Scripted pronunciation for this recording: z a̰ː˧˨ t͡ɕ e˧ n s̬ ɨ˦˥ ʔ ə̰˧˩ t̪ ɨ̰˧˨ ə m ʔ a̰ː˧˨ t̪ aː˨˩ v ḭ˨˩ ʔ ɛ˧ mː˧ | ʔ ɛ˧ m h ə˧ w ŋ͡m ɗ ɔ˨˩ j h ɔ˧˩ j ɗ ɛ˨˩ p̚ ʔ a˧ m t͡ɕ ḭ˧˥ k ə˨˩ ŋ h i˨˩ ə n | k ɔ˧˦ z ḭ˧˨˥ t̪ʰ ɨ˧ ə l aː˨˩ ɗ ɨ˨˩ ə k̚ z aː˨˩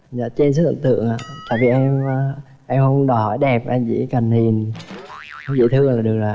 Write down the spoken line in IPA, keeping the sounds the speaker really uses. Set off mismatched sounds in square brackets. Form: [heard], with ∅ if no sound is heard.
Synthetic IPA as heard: z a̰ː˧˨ t͡ɕ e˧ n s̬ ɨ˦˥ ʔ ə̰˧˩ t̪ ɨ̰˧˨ ə [ŋ] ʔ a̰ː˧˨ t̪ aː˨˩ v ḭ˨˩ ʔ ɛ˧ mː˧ | ʔ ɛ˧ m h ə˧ w ŋ͡m ɗ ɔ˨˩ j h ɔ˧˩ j ɗ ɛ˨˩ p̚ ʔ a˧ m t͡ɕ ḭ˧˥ k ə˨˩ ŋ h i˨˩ ə n | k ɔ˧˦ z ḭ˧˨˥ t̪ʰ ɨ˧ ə l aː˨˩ ɗ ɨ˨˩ ə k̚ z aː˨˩